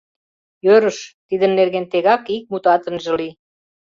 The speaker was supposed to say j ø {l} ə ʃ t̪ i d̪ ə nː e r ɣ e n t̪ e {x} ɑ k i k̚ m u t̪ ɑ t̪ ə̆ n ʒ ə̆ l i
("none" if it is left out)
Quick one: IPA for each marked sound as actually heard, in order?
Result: ɾ, ɣ

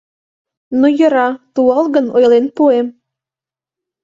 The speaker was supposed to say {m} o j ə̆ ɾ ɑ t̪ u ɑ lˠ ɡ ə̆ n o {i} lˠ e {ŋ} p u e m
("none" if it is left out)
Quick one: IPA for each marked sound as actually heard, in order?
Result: n, j, n

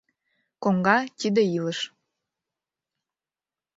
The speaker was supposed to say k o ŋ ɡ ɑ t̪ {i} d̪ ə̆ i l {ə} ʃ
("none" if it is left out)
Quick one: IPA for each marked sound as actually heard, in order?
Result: i, ə

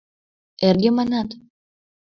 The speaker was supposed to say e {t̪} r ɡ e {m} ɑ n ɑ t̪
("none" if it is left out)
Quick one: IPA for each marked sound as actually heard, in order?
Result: none, m

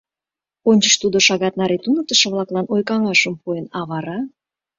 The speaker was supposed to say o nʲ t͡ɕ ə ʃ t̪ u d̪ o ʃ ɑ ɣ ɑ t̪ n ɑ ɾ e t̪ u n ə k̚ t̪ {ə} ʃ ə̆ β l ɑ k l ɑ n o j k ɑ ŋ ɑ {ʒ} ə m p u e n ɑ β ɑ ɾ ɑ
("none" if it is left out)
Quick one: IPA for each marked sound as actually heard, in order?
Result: ə, ʃ

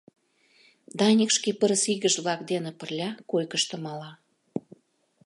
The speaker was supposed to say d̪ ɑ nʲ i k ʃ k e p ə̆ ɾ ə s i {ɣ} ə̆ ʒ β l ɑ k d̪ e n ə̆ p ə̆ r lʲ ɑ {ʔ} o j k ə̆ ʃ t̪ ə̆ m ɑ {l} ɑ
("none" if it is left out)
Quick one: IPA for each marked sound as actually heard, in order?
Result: ɣ, k, l

